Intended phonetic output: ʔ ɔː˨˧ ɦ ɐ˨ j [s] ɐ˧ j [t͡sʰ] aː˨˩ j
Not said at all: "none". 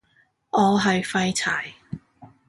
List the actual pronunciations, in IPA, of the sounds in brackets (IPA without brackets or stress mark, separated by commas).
f, t͡sʰ